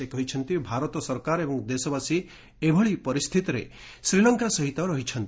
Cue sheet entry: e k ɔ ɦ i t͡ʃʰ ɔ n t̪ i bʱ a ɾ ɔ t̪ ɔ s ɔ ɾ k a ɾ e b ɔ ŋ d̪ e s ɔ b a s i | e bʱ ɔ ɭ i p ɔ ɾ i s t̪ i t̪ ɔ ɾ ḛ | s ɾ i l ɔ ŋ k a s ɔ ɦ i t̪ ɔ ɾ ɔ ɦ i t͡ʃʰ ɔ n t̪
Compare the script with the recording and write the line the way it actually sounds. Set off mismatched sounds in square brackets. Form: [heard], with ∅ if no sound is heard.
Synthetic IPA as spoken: e k ɔ ɦ i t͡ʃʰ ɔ n t̪ i bʱ a ɾ ɔ t̪ ɔ s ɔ ɾ k a ɾ e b ɔ ŋ d̪ e s ɔ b a s i | e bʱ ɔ ɭ i p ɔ ɾ i s [t̪ʰ] i t̪ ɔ ɾ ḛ | s ɾ i l ɔ ŋ k a s ɔ ɦ i t̪ ɔ ɾ ɔ ɦ i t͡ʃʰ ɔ n t̪